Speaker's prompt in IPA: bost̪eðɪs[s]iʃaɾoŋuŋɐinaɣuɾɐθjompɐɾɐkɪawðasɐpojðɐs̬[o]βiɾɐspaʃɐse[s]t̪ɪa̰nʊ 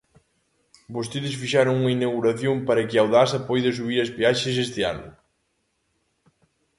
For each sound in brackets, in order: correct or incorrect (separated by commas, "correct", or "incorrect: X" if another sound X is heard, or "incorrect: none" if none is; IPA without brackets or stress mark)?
incorrect: f, incorrect: u, correct